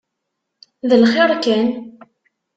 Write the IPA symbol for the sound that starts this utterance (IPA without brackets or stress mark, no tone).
ð